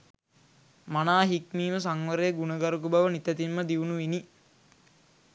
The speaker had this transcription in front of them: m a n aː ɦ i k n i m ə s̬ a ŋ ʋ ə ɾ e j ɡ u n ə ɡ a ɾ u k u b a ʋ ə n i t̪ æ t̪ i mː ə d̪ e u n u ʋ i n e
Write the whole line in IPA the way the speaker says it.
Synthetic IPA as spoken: m a n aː ɦ i k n iː m ə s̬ a ŋ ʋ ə ɾ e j ɡ u n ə ɡ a ɾ u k u b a ʋ ə n i t̪ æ t̪ i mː ə d̪ i u n u ʋ i n i